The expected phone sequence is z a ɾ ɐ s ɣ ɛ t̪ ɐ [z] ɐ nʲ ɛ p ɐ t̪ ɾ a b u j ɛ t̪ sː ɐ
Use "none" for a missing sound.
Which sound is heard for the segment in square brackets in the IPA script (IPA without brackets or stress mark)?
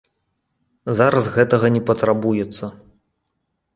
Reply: ɣ